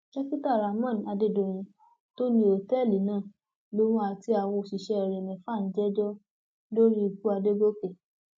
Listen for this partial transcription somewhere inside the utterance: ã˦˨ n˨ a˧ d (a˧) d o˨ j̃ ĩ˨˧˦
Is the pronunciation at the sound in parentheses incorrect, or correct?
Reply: incorrect